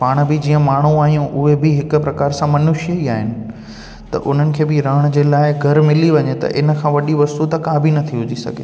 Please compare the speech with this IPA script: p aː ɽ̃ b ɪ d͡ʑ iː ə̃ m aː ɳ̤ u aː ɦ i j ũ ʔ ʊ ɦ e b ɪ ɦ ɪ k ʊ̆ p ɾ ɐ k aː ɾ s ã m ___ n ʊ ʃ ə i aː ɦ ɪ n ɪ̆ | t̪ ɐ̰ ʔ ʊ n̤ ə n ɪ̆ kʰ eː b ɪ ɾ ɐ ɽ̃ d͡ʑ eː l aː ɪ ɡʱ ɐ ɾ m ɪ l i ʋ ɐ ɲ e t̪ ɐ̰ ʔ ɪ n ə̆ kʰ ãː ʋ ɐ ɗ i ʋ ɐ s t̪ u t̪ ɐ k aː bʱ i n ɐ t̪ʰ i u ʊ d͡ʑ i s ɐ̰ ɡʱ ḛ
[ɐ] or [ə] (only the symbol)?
ɐ